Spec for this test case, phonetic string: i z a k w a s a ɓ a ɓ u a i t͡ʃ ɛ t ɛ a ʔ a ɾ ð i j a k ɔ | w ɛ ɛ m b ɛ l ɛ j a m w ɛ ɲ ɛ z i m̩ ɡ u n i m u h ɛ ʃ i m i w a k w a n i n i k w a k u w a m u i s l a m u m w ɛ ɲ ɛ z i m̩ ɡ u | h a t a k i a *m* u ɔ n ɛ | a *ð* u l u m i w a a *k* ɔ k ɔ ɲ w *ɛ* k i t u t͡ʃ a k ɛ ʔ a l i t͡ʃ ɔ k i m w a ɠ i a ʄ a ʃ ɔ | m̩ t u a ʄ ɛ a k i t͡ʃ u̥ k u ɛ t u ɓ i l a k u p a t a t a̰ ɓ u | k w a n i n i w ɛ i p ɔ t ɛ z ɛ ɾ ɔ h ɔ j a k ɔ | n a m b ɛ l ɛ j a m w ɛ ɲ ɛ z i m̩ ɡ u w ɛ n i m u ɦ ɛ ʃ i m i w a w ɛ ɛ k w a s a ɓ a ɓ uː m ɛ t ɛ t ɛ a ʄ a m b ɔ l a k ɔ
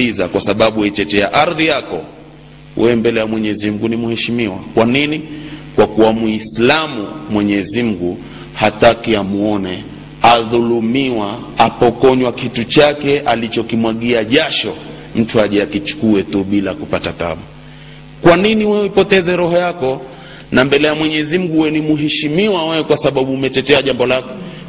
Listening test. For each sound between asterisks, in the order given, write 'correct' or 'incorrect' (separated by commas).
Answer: correct, correct, incorrect, incorrect